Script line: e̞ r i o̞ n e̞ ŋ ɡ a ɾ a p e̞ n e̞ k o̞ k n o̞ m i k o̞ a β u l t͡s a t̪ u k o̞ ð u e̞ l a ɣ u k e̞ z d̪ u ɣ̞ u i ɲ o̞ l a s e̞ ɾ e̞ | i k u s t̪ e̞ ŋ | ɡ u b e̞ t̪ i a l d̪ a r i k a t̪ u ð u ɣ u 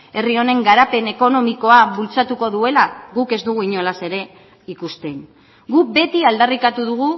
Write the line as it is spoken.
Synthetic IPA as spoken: e̞ r i o̞ n e̞ ŋ ɡ a ɾ a p e̞ n e̞ k o̞ n o̞ m i k o̞ a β u l t͡s a t̪ u k o̞ ð u e̞ l a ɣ u k e̞ z d̪ u ɣ̞ u i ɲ o̞ l a s e̞ ɾ e̞ | i k u s t̪ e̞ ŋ | ɡ u b e̞ t̪ i a l d̪ a r i k a t̪ u ð u ɣ u